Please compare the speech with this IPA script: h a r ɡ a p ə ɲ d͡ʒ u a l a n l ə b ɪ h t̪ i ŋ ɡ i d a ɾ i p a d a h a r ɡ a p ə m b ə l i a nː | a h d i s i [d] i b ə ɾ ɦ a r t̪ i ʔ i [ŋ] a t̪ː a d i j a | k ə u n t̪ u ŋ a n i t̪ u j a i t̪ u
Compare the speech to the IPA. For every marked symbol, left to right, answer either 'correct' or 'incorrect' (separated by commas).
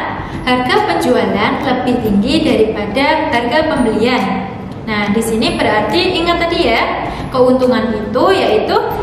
incorrect, correct